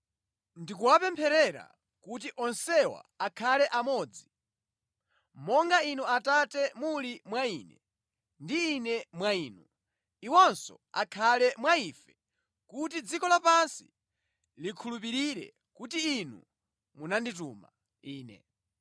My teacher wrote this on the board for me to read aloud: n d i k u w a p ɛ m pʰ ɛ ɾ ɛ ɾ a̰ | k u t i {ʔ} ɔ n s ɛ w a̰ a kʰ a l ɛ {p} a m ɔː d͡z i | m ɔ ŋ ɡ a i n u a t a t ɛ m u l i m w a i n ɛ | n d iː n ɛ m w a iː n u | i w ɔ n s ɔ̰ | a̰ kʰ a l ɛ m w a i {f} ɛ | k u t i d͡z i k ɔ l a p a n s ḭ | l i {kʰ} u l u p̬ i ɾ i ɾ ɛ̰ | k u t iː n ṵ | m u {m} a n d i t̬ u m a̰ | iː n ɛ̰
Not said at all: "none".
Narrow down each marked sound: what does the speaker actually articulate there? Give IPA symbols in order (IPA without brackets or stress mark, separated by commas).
ʔ, ʔ, f, kʰ, n